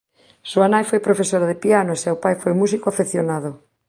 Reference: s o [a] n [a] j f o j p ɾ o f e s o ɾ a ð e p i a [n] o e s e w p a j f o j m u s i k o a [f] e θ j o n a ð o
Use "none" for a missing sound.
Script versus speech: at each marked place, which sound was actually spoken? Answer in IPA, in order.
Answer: a, a, n, f

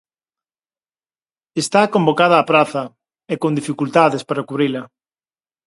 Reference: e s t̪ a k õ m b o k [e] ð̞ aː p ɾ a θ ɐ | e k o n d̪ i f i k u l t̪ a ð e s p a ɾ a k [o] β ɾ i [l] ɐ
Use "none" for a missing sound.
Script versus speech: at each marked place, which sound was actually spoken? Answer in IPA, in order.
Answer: a, u, l

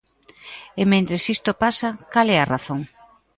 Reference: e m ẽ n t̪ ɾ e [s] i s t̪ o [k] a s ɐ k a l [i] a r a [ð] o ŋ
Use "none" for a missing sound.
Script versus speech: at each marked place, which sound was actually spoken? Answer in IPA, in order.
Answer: s, p, ɛ, θ

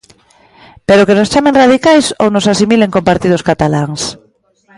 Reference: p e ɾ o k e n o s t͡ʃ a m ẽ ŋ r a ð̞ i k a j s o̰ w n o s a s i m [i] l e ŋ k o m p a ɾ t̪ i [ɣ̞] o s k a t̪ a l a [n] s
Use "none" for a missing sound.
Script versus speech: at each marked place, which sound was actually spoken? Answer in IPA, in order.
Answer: i, ð̞, ŋ

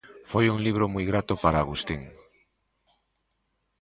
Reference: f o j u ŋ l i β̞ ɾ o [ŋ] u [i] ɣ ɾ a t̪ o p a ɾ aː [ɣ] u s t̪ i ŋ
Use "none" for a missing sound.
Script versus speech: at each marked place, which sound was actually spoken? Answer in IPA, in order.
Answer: m, j, ɣ

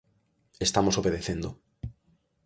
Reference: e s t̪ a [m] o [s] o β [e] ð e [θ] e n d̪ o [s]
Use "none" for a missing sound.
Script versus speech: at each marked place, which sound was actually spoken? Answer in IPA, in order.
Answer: m, s, e, θ, none

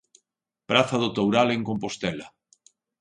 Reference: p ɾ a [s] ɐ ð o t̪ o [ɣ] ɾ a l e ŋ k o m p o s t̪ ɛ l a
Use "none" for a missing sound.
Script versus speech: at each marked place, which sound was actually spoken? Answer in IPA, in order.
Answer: θ, w

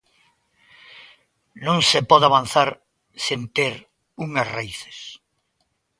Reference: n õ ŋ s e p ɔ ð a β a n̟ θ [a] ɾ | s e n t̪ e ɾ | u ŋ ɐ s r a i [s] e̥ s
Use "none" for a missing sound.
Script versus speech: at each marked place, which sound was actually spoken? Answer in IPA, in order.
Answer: a, θ

